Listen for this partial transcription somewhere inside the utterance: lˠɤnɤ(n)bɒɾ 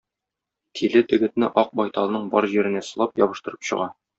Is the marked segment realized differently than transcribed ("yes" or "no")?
yes